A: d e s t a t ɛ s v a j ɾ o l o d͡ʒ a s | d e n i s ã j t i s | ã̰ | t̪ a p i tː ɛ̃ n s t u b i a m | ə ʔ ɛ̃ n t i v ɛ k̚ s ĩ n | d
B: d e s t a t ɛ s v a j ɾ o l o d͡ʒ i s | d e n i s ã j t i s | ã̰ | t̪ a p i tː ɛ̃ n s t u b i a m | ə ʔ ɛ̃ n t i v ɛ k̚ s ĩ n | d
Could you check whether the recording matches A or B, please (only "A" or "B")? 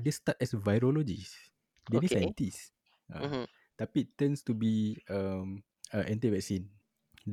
B